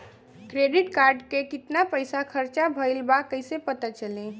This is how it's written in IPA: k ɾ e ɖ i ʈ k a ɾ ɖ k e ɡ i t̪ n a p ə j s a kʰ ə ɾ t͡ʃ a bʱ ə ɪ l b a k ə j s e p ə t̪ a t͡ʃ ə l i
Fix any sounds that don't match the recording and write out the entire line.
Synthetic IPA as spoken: k ɾ e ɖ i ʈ k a ɾ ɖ k e k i t̪ n a p ə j s a kʰ ə ɾ t͡ʃ a bʱ ə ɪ l b a k ə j s e p ə t̪ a t͡ʃ ə l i